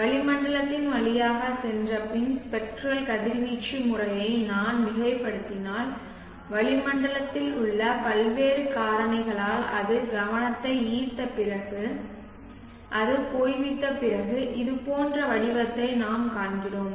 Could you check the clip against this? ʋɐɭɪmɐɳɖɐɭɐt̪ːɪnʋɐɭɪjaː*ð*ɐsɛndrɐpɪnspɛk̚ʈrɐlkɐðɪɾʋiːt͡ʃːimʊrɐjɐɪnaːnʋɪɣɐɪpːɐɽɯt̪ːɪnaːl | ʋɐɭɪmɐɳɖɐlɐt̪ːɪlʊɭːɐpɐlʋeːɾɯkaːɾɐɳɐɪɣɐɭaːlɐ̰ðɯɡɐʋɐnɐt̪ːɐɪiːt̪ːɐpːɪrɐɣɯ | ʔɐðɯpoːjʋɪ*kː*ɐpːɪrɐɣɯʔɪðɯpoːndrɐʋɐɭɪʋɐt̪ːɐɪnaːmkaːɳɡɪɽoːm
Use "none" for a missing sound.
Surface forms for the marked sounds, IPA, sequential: ɣ, ʈː

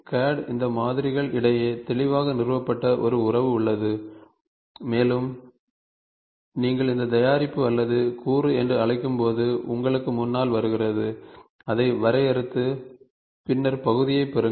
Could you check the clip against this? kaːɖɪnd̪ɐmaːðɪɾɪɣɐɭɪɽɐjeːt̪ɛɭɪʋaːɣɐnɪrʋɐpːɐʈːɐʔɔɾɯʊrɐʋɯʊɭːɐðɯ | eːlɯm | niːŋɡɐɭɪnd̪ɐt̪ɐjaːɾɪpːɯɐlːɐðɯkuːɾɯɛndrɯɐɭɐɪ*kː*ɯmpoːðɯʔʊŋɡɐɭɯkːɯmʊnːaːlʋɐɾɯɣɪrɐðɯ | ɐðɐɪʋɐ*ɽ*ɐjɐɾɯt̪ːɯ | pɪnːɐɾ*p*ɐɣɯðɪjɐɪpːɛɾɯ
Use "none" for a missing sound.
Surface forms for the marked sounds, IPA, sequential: kː, ɾ, p

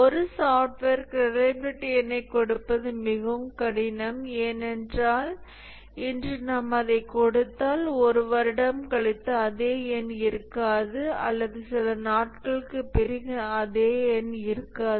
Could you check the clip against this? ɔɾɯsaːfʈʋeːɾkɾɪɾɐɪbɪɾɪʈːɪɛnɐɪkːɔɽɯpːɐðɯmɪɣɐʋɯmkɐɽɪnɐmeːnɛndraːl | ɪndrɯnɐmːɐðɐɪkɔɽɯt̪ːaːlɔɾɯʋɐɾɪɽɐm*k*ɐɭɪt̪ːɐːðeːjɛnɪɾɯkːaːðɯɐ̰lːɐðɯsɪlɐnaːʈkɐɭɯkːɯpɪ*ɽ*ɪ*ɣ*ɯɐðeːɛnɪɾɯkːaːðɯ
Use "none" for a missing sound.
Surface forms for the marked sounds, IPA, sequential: k, ɾ, ɣ

